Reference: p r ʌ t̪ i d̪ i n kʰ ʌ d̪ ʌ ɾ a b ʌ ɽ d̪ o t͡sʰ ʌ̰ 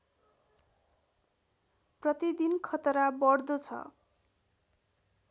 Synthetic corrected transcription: p r ʌ t̪ i d̪ i n kʰ ʌ t̪ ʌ ɾ a b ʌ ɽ d̪ o t͡sʰ ʌ̰